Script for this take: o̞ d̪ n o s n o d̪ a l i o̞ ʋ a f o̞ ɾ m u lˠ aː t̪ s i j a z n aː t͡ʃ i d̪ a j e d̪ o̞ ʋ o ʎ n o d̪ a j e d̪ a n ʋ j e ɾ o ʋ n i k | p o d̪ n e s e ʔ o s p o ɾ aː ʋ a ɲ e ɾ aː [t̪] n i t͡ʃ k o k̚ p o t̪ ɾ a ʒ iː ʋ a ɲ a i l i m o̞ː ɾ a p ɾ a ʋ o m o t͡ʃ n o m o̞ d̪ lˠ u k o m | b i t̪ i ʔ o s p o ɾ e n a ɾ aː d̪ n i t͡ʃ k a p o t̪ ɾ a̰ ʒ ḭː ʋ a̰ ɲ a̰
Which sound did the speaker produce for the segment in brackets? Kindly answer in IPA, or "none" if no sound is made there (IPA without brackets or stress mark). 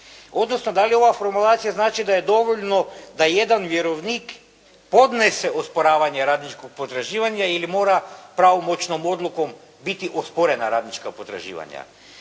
d̪